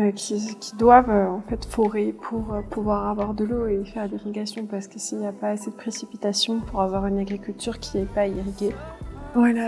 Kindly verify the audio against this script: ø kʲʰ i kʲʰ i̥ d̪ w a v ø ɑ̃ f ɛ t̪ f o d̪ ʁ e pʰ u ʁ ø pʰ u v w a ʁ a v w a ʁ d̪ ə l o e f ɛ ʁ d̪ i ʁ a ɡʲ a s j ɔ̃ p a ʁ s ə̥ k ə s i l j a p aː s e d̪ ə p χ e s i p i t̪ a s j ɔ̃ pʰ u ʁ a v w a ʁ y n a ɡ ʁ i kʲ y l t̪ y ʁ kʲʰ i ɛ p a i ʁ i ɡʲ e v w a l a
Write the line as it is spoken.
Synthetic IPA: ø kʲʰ i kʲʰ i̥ d̪ w a v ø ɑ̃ f ɛ t̪ f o ʁ e pʰ u ʁ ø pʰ u v w a ʁ a v w a ʁ d̪ ə l o e f ɛ ʁ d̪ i ʁ i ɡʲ a s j ɔ̃ p a ʁ s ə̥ k ə s i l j a p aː s e d̪ ə p χ e s i p i t̪ a s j ɔ̃ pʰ u ʁ a v w a ʁ y n a ɡ ʁ i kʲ y l t̪ y ʁ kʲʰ i ɛ p a i ʁ i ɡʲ e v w a l a